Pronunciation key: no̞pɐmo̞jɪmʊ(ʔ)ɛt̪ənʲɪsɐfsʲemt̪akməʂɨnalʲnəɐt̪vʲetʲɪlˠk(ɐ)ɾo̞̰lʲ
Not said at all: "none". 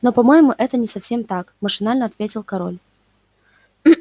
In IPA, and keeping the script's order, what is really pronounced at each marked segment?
ʔ, ɐ

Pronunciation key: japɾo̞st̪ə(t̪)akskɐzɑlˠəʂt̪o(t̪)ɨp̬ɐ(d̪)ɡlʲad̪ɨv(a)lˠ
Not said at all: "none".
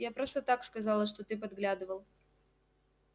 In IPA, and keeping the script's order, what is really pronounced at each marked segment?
t̪, t̪, d̪, ə

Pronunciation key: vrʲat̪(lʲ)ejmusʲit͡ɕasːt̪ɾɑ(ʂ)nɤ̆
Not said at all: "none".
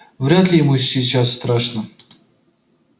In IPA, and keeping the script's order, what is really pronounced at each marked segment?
lʲ, ʂ

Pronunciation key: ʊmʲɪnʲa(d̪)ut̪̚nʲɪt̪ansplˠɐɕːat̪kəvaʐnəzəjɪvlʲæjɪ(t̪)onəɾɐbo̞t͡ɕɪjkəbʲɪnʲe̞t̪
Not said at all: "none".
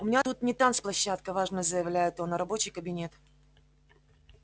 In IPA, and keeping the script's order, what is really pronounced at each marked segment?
t̪, t̪

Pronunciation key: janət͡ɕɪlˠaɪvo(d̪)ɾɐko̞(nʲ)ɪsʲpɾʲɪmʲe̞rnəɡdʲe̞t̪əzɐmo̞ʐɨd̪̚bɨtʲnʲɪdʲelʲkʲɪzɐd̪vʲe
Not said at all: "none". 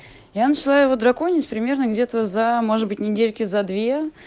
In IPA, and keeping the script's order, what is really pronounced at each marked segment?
d̪, nʲ

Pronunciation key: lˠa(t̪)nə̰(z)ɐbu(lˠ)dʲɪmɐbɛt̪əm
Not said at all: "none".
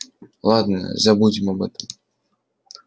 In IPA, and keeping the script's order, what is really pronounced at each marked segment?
d̪, z, none

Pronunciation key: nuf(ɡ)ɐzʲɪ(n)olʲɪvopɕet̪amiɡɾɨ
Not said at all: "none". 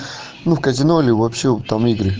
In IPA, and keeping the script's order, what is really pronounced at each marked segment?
k, n

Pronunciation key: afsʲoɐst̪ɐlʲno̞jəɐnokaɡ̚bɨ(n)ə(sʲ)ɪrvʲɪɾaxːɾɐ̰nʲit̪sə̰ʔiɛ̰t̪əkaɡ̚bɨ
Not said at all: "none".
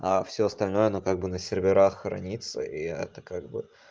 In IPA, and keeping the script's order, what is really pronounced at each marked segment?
n, sʲ

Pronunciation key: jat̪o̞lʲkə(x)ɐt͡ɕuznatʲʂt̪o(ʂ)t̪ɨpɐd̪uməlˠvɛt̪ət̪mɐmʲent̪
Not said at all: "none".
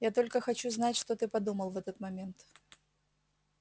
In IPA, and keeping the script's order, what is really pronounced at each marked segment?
x, none

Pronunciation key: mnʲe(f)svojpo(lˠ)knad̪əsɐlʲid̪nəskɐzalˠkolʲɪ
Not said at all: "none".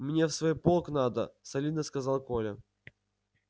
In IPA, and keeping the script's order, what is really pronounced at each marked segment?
f, lˠ

